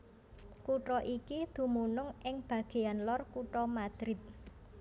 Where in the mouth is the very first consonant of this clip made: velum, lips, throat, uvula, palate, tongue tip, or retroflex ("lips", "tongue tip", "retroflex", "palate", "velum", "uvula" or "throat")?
velum